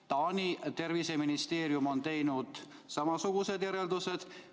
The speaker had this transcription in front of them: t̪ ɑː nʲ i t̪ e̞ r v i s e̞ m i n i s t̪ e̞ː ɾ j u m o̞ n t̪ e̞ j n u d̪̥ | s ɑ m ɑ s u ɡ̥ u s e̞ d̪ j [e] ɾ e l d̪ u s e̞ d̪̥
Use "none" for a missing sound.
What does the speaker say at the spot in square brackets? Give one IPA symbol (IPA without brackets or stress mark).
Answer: æ